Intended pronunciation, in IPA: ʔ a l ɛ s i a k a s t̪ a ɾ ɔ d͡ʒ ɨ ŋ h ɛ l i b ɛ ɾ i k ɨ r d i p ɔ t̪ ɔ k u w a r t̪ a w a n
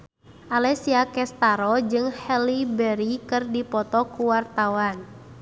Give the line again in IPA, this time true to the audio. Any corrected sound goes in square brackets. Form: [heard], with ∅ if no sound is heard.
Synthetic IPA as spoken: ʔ a l ɛ s i a k [ɛ] s t̪ a ɾ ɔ d͡ʒ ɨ ŋ h ɛ l i b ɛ ɾ i k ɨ r d i p ɔ t̪ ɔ k u w a r t̪ a w a n